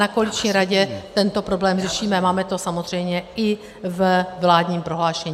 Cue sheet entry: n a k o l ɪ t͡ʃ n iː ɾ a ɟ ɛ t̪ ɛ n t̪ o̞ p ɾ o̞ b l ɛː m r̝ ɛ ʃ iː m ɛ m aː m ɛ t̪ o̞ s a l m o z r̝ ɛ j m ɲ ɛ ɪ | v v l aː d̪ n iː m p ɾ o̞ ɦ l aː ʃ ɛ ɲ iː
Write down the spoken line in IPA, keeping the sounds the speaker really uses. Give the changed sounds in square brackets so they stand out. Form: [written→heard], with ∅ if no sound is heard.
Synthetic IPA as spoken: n a k o l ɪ t͡ʃ [n→ɲ] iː ɾ a ɟ ɛ t̪ ɛ n t̪ o̞ p ɾ o̞ b l ɛː m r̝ ɛ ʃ iː m ɛ m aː m ɛ t̪ o̞ s a [l→∅] m o z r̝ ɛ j m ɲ ɛ ɪ | v v l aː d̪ [n→ɲ] iː m p ɾ o̞ ɦ l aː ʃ ɛ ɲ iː